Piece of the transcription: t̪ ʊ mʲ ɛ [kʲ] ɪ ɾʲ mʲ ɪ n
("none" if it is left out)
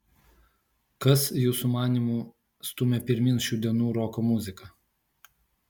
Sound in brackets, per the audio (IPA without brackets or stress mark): pʲ